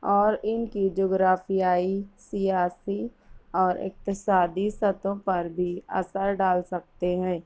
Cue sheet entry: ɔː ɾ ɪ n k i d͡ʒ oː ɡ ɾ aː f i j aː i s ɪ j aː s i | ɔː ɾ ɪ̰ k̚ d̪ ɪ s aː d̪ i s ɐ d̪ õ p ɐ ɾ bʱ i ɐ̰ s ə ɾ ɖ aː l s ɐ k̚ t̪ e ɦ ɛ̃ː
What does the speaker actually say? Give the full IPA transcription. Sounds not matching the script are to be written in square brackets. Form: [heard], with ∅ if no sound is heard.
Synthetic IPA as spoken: ɔː ɾ ɪ n k i d͡ʒ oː ɡ ɾ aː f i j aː i s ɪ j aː s i | ɔː ɾ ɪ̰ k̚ [t̪] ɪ s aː d̪ i s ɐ [t̪] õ p ɐ ɾ bʱ i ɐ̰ s ə ɾ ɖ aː l s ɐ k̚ t̪ e ɦ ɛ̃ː